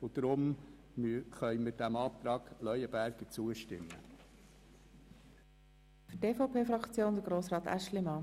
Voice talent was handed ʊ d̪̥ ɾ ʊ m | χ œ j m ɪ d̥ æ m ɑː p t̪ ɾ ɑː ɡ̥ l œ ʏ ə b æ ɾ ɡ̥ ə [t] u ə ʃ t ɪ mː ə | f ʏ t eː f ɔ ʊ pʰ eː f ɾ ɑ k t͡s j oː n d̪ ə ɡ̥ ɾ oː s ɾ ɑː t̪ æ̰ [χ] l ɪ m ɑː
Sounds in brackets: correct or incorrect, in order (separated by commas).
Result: incorrect, incorrect